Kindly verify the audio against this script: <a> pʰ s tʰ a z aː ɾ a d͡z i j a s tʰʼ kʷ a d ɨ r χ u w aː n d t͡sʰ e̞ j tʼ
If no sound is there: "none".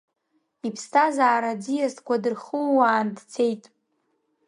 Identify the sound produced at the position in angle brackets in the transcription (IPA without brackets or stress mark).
i